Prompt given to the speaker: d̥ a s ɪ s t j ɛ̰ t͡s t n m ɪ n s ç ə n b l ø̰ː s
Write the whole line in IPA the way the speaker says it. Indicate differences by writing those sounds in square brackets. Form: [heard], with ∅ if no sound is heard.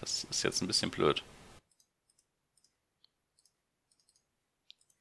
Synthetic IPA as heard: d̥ a s ɪ s t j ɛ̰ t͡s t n [b] ɪ [∅] s ç ə n b l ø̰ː [t]